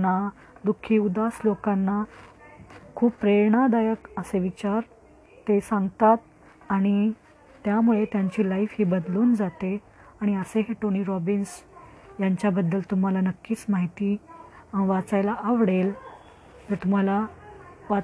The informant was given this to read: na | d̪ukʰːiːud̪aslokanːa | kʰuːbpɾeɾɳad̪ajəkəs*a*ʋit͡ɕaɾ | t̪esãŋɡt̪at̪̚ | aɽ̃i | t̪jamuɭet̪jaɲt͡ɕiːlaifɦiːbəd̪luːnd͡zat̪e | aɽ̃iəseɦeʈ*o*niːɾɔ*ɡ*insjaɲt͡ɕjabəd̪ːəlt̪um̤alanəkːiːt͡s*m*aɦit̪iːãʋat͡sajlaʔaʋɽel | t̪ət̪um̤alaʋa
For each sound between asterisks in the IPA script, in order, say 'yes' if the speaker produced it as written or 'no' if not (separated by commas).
no, yes, no, yes